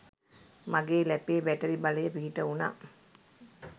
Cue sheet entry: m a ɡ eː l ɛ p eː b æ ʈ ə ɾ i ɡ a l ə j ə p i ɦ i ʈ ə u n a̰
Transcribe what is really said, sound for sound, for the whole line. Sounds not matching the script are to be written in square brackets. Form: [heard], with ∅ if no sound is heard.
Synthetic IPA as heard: m a ɡ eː l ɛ p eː b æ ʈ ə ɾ i [b] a l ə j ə p i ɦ i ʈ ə u n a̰